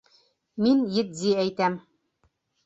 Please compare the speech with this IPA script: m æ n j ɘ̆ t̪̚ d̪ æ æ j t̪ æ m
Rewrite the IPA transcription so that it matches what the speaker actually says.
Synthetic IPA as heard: m i n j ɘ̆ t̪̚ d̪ i æ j t̪ æ m